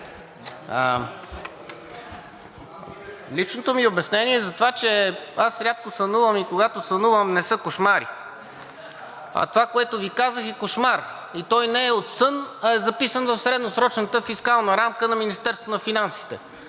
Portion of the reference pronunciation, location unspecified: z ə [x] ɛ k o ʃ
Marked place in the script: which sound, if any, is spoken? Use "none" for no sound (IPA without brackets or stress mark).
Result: x